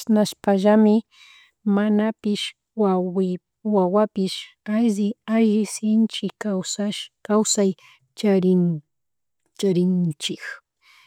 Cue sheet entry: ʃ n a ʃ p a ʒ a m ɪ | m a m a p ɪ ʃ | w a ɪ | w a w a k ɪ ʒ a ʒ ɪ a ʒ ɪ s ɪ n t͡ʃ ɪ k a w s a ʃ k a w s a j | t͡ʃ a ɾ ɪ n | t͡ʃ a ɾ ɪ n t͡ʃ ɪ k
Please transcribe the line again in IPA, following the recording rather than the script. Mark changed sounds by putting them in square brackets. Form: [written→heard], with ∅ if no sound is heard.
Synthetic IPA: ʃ n a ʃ p a ʒ a m ɪ | m a [m→n] a p ɪ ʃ | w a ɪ | w a w a [k→p] ɪ [ʒ→ʃ] a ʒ ɪ a ʒ ɪ s ɪ n t͡ʃ ɪ k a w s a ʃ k a w s a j | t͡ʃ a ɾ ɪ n | t͡ʃ a ɾ ɪ n t͡ʃ ɪ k